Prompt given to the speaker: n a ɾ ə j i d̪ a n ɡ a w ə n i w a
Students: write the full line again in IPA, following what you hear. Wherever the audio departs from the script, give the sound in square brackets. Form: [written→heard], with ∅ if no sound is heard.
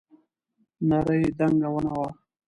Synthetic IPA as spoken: n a ɾ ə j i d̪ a [n→ŋ] ɡ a w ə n [i→a] w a